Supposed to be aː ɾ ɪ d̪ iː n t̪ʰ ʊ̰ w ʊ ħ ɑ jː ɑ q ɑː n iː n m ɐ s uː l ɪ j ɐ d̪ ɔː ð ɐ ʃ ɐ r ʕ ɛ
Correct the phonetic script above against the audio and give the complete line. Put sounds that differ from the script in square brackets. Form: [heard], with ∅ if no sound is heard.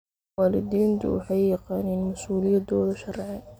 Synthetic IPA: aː [l] ɪ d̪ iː n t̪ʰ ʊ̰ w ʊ ħ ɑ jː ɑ q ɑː n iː n m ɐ s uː l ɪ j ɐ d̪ ɔː ð ɐ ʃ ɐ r ʕ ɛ